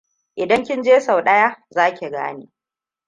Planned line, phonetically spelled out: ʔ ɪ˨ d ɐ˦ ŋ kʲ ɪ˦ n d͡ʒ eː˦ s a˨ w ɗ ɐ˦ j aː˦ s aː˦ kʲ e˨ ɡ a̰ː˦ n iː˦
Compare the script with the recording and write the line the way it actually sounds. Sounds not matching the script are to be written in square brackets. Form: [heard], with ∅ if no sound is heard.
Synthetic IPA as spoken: ʔ ɪ˨ d ɐ˦ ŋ kʲ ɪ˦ n d͡ʒ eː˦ s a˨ w ɗ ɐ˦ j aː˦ [z] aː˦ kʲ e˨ ɡ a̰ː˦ n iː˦

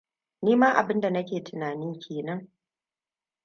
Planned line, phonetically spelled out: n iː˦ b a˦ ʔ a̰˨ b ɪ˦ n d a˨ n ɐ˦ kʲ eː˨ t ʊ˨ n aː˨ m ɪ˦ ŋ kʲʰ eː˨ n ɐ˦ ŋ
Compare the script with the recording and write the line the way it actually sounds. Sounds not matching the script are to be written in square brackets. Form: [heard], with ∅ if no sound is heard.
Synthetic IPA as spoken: n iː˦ [m] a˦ ʔ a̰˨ b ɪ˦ n d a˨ n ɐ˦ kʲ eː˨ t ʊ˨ n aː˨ [n] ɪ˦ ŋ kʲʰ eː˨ n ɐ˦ ŋ

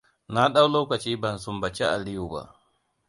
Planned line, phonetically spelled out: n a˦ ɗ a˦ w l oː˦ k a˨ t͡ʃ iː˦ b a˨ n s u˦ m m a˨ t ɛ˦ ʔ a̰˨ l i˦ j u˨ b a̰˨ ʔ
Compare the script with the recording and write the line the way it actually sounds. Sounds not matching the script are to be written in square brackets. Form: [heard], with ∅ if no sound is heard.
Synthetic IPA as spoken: n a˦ ɗ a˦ w l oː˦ k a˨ t͡ʃ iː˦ b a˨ n s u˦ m [b] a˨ [t͡ʃ] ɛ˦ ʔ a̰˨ l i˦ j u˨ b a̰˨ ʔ

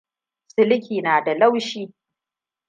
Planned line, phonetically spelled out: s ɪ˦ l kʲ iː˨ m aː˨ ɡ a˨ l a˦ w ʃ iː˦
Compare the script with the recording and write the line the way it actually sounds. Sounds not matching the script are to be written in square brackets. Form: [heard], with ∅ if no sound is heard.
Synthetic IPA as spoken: s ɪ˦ l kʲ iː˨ [n] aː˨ [d] a˨ l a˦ w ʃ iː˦

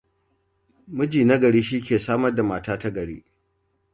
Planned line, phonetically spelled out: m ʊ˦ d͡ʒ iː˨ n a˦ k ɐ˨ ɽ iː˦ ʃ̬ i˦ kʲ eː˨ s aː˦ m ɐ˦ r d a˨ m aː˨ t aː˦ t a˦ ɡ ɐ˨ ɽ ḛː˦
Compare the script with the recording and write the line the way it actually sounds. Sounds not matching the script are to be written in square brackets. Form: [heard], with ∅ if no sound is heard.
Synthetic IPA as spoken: m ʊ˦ d͡ʒ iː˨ n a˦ [ɡ] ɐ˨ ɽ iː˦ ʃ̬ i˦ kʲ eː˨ s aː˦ m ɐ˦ r d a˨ m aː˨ t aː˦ t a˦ ɡ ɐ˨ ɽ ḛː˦

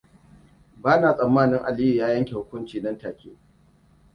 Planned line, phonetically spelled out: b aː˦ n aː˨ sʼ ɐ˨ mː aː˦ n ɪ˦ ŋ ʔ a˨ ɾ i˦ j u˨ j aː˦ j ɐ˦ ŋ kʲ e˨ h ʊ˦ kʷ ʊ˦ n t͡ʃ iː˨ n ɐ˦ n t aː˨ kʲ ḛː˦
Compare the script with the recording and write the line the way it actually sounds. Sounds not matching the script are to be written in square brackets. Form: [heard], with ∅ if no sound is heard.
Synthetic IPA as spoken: b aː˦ n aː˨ sʼ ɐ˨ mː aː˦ n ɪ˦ ŋ ʔ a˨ [l] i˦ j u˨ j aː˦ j ɐ˦ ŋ kʲ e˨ h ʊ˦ kʷ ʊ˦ n t͡ʃ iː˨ n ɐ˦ n t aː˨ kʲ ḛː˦

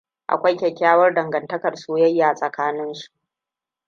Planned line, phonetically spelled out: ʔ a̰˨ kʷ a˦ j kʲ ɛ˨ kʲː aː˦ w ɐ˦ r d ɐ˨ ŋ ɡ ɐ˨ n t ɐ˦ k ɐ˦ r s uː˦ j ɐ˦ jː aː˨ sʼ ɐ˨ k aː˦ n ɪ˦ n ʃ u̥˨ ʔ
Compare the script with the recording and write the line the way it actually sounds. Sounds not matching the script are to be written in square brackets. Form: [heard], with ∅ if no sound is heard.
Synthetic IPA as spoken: ʔ a̰˨ kʷ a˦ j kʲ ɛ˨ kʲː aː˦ w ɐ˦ r d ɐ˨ ŋ ɡ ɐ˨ n t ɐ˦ k [ɐ˨] r s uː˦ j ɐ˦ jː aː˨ sʼ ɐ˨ k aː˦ n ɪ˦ n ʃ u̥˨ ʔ

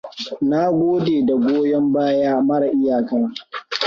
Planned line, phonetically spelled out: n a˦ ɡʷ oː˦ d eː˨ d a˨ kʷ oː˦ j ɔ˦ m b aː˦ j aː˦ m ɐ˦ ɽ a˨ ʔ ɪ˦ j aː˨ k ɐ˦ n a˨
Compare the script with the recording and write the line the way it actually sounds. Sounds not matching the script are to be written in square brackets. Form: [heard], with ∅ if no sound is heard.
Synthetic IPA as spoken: n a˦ ɡʷ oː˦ d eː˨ d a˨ [ɡʷ] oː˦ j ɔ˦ m b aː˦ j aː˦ m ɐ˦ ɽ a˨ ʔ ɪ˦ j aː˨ k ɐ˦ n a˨

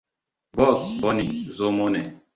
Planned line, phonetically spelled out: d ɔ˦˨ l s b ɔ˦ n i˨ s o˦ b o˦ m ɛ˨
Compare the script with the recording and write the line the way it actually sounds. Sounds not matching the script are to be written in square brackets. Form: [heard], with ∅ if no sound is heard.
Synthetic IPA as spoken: [b] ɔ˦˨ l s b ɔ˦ n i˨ [z] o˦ [m] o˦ [n] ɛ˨

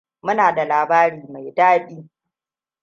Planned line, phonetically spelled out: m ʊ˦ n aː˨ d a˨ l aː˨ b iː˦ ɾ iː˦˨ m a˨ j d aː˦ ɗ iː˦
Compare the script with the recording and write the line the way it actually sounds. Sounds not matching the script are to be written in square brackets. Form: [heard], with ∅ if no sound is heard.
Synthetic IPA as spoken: m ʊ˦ n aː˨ d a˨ l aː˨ b [aː˦] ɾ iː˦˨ m a˨ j d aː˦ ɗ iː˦

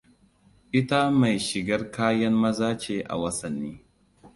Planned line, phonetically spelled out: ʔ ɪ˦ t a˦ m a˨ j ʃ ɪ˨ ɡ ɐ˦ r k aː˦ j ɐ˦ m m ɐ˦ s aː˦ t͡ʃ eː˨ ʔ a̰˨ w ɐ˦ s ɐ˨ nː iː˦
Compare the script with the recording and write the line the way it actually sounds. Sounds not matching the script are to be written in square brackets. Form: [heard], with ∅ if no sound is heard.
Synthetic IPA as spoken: ʔ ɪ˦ t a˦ m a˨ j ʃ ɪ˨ ɡ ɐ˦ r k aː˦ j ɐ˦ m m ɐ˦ [z] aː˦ t͡ʃ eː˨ ʔ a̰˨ w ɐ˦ s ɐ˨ nː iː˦

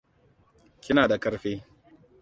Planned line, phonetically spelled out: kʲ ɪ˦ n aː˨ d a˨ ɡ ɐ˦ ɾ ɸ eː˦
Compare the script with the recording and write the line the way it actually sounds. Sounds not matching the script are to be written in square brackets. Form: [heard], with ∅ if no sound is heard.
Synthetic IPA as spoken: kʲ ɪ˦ n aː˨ d a˨ [k] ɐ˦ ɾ ɸ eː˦

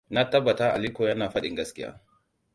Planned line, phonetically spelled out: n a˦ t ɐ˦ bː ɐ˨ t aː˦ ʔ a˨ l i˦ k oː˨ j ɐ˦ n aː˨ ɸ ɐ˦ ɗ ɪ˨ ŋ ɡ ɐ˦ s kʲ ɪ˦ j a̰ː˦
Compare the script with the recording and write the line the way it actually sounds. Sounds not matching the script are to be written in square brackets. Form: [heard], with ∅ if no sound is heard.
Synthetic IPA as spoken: n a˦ t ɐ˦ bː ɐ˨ t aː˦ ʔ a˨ l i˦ k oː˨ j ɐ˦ n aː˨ ɸ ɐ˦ ɗ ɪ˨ ŋ ɡ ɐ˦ s kʲ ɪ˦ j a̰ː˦

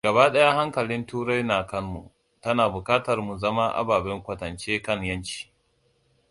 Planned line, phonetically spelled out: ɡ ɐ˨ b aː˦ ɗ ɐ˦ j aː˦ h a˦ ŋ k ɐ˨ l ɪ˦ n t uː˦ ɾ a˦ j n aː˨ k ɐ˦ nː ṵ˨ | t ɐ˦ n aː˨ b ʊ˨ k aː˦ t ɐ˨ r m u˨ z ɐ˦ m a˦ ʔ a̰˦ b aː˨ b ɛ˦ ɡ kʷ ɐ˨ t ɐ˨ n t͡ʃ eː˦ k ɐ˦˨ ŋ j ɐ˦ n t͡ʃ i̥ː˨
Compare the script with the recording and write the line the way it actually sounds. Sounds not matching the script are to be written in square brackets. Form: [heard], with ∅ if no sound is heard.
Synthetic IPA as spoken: ɡ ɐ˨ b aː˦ ɗ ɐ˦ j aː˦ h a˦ ŋ k ɐ˨ l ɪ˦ n t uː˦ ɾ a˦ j n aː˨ k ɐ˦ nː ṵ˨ | t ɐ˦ n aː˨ b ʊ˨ k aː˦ t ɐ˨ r m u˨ z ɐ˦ m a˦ ʔ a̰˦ b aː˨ b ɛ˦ [ŋ] kʷ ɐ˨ t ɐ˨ n t͡ʃ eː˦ k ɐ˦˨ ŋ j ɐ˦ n t͡ʃ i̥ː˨

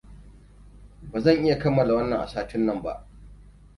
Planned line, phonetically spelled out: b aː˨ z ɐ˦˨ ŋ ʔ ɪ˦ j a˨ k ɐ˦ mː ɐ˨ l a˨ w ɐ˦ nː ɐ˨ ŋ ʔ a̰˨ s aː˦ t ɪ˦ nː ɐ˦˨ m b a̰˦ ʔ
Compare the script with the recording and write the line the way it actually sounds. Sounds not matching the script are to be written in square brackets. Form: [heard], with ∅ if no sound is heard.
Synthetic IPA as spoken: b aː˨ z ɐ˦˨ ŋ ʔ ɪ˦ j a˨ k ɐ˦ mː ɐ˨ l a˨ w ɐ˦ nː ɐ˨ ŋ ʔ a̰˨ s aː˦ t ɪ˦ nː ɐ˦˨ m b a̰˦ ʔ

